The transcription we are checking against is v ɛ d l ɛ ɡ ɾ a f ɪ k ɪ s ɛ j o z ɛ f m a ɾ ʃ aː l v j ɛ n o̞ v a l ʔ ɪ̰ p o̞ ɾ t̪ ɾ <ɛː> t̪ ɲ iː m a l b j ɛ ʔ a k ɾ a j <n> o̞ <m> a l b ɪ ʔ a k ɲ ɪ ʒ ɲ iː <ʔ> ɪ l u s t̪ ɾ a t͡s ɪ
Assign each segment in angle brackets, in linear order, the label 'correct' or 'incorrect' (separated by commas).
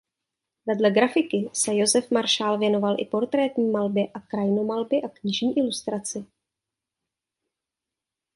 correct, correct, correct, correct